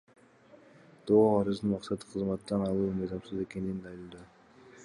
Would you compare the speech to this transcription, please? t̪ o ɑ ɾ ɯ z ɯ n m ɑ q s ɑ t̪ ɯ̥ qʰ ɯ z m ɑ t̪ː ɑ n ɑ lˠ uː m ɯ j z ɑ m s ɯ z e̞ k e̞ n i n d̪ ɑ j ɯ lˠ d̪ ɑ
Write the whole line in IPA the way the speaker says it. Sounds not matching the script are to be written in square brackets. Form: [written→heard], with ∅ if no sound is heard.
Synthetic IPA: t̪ o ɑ ɾ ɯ z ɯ n m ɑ q s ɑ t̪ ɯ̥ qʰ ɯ z m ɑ t̪ː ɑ n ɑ lˠ uː m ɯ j z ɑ m s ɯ z e̞ k e̞ n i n d̪ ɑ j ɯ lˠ d̪ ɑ